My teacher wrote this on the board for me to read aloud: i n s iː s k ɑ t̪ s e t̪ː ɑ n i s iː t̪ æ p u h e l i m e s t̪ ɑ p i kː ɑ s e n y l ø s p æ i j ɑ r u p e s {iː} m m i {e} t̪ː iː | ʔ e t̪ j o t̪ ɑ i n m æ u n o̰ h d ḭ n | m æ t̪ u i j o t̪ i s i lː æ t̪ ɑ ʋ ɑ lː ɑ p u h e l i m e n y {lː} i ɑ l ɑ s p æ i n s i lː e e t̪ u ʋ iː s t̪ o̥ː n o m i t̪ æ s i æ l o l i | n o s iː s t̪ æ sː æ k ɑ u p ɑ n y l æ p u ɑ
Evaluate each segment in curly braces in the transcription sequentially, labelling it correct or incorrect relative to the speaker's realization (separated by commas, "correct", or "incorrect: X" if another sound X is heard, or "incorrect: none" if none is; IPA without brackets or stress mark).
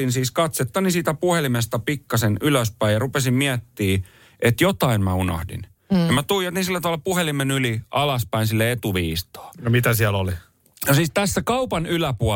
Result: incorrect: i, incorrect: æ, incorrect: l